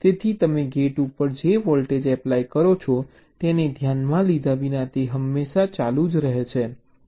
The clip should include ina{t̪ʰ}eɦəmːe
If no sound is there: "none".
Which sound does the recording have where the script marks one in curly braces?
t̪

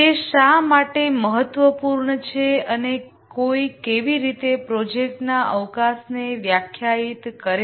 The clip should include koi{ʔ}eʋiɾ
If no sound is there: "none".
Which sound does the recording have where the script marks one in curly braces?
k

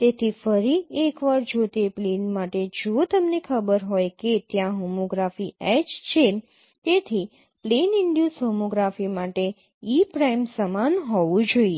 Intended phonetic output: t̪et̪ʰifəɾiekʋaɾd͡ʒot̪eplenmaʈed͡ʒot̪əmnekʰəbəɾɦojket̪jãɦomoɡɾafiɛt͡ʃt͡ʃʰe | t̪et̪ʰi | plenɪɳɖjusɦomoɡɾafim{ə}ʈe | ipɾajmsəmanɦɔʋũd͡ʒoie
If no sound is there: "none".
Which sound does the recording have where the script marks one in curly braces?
a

